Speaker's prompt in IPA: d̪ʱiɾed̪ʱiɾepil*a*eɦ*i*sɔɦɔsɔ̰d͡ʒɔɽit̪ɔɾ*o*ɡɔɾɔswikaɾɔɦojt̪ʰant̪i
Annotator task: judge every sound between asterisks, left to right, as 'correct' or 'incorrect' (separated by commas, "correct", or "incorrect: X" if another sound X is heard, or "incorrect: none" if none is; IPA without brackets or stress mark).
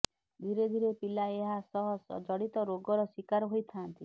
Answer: correct, incorrect: a, correct